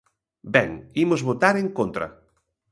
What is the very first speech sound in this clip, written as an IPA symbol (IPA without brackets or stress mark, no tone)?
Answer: b